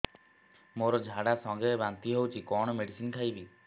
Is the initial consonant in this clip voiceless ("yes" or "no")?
no